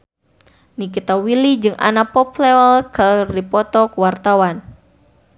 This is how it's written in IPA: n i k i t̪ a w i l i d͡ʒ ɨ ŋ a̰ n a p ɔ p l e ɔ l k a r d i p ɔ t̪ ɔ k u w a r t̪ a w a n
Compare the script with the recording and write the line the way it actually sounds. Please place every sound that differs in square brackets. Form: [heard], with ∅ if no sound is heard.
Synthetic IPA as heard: n i k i t̪ a w i l i d͡ʒ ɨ ŋ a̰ n a p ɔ p l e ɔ l k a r d i p ɔ t̪ ɔ k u w a r t̪ a w a n